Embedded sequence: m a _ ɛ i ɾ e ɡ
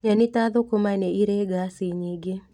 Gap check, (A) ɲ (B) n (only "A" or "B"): B